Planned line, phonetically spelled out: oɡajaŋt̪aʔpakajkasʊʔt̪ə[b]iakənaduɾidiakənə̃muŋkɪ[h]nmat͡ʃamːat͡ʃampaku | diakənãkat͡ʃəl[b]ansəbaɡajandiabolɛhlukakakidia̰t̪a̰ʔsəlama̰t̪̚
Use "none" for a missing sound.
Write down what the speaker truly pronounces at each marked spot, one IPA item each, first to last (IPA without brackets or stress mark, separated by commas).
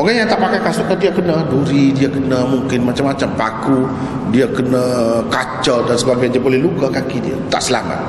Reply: d, none, d